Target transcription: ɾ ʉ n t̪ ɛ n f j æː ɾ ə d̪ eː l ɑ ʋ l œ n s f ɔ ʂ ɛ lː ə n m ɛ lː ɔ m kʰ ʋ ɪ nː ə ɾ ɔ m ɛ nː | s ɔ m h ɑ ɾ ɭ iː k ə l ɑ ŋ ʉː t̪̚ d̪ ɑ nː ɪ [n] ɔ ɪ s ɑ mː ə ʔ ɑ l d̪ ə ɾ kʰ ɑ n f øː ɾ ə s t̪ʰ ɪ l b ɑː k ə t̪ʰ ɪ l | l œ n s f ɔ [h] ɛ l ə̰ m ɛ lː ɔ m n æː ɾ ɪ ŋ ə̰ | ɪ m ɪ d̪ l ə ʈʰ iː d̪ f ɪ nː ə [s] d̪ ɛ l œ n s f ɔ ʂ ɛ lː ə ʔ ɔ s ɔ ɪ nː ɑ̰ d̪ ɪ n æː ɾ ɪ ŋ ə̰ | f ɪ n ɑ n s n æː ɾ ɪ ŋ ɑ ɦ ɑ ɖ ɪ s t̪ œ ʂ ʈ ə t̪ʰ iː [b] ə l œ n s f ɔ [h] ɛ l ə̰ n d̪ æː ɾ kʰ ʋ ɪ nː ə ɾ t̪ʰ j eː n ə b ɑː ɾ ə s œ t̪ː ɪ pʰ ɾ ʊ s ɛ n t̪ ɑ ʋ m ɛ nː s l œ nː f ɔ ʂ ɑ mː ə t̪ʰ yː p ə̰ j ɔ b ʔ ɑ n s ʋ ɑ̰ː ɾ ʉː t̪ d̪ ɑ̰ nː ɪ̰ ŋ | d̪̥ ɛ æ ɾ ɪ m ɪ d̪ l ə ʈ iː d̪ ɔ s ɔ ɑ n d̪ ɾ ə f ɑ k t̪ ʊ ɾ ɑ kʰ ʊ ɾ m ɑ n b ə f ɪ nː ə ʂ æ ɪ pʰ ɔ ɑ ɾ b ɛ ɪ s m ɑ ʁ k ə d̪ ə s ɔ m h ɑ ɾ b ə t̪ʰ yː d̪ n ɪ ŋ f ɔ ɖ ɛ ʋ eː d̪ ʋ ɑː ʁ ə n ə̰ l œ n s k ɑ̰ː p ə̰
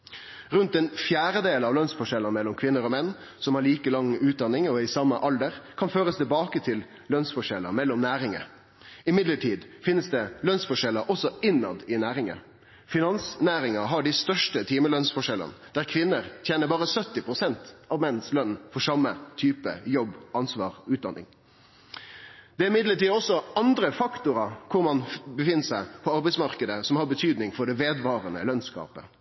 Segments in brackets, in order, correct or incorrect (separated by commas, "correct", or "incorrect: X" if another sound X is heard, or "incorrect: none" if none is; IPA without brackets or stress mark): incorrect: ŋ, incorrect: ʂ, correct, incorrect: m, incorrect: ʂ